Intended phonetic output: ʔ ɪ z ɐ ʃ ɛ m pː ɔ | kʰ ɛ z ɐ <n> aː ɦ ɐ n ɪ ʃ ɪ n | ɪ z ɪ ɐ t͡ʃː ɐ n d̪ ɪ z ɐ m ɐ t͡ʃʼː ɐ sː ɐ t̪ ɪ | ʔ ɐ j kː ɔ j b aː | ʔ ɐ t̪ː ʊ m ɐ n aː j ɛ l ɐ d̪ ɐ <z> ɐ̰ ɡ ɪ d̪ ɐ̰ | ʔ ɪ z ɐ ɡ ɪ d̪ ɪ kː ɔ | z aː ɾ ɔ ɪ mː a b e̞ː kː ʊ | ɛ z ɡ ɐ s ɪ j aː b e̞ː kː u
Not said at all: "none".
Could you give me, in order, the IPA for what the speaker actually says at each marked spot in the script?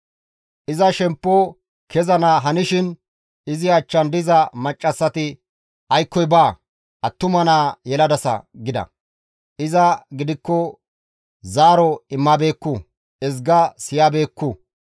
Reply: n, s

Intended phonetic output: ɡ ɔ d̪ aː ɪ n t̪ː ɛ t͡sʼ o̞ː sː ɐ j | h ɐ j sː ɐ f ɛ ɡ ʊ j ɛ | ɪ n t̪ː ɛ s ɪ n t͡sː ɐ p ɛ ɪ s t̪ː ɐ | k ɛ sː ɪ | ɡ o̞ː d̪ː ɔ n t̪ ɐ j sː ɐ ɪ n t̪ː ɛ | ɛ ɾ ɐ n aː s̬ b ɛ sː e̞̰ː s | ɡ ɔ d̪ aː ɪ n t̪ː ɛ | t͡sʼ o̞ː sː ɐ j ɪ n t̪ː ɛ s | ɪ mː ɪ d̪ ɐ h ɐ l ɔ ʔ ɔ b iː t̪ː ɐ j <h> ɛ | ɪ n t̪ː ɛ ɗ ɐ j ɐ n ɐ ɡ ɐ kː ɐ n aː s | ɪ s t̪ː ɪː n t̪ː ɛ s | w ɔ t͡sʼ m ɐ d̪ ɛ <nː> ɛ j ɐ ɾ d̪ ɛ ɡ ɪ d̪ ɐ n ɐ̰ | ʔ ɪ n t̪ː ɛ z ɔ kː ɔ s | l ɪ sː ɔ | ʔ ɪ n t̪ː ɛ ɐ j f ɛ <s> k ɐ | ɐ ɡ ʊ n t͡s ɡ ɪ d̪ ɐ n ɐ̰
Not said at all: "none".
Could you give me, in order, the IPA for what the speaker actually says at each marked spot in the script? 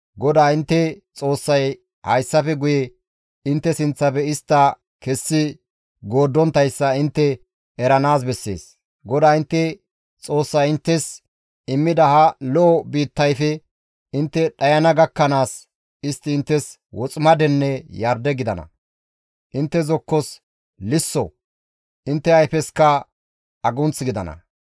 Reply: f, nː, s

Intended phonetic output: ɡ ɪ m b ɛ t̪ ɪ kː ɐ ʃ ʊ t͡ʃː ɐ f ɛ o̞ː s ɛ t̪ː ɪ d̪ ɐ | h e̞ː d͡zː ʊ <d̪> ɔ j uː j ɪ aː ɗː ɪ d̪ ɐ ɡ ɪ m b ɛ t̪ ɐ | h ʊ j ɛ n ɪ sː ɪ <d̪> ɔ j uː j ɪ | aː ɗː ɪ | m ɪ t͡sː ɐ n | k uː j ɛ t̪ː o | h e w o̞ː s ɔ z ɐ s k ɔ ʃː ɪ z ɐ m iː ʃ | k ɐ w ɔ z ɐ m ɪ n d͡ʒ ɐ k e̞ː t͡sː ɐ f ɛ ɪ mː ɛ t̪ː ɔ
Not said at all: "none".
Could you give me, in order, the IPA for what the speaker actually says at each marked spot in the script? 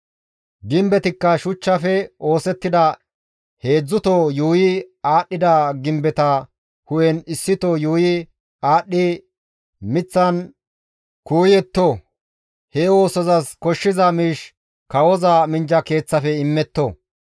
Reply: t̪, t̪

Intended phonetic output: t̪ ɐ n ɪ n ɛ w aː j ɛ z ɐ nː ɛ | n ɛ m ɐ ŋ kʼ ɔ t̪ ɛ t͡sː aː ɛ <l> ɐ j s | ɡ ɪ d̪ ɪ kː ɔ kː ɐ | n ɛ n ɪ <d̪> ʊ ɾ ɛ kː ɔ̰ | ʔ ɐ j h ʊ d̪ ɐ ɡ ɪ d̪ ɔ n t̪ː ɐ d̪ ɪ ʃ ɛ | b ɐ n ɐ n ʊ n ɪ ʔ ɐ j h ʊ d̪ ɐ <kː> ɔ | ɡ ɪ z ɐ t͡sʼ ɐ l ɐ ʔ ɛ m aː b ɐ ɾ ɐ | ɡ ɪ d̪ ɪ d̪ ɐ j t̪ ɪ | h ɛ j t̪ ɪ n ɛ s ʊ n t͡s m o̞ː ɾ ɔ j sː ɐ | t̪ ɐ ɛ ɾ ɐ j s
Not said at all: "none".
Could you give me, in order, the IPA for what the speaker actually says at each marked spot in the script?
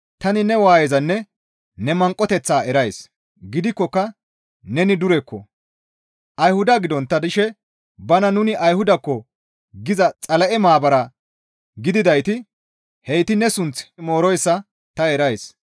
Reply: ɾ, d̪, kː

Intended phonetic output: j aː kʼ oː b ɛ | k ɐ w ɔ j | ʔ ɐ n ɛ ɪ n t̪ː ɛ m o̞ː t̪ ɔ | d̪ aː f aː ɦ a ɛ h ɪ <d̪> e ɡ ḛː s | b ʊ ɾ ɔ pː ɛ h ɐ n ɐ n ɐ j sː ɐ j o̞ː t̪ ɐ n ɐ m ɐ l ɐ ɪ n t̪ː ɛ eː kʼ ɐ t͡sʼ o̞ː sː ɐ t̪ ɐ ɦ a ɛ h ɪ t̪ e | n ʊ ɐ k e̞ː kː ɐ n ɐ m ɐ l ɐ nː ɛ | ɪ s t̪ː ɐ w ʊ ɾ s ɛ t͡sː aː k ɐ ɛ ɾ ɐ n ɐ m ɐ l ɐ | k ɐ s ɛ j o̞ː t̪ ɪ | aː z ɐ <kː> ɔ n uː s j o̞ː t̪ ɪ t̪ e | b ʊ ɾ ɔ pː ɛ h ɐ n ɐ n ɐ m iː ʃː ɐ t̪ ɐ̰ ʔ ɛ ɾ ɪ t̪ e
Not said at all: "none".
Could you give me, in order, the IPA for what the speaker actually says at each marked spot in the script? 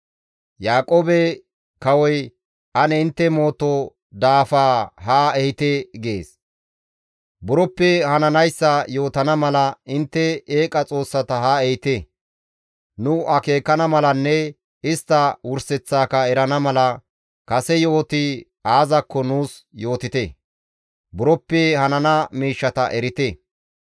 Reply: t̪, kː

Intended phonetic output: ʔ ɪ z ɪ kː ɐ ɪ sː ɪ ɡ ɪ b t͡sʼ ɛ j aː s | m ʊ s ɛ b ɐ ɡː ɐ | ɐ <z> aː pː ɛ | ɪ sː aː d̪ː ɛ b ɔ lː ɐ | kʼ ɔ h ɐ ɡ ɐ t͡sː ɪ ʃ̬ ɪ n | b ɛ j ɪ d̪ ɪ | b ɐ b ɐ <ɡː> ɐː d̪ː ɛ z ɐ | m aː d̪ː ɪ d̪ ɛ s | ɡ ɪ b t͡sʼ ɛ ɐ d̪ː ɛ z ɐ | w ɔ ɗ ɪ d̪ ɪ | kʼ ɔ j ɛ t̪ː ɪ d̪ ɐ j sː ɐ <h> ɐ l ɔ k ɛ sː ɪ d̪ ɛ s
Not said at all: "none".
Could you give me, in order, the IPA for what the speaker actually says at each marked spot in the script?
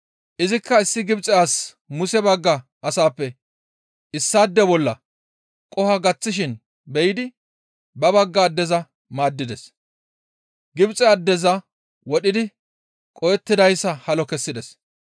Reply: s, ɡː, h

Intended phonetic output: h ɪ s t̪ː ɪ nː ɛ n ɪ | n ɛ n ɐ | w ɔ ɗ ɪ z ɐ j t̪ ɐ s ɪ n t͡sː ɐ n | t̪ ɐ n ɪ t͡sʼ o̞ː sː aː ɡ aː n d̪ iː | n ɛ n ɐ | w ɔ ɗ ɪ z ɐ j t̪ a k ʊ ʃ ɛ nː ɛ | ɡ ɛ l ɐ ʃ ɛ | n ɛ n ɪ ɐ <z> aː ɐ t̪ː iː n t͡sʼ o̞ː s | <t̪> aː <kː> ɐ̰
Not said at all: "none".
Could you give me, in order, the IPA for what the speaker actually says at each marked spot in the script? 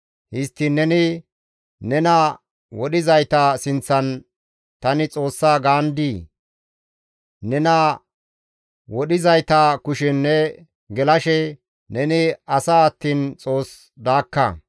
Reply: s, d̪, kː

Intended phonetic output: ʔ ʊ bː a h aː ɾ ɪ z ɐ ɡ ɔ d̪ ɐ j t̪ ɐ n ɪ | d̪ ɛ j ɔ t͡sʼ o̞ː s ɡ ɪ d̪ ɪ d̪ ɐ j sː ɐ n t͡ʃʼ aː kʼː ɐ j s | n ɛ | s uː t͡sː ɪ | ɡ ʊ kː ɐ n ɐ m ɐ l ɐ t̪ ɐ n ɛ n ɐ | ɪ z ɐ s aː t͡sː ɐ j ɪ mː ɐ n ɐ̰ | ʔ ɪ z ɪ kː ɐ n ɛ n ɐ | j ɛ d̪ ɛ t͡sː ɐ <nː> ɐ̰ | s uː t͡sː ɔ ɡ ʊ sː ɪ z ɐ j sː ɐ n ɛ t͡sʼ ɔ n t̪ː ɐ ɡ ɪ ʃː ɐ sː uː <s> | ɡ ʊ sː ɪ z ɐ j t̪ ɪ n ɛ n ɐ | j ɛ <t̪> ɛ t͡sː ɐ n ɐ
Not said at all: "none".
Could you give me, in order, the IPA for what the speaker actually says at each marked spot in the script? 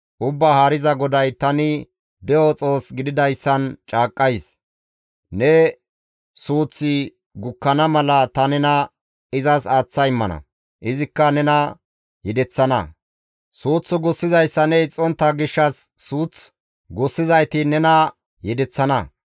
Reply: n, t͡s, d̪

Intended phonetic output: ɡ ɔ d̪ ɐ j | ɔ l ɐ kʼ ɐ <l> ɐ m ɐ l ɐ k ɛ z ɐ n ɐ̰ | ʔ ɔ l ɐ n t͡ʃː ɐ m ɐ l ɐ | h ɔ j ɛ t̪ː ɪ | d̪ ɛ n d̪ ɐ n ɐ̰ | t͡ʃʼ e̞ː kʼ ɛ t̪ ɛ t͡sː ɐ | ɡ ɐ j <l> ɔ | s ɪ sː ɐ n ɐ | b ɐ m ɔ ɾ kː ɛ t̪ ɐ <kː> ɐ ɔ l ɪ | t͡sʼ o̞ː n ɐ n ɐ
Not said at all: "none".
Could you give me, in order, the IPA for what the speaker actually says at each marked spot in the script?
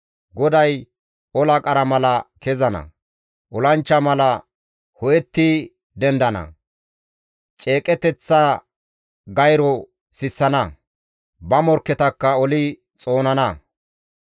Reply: ɾ, ɾ, kː

